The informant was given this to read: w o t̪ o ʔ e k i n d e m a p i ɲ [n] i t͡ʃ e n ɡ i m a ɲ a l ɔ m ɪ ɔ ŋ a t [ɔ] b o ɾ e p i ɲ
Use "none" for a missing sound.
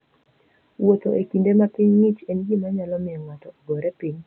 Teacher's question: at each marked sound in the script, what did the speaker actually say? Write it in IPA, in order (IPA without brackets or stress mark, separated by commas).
ŋ, ɔ